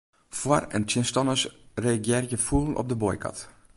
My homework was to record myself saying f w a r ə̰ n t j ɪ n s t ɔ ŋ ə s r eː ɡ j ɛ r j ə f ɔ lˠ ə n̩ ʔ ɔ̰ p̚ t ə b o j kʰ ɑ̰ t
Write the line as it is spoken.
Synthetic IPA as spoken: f w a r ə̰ n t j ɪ n s t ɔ n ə s r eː ɡ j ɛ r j ə f u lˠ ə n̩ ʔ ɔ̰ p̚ d ə b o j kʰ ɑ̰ t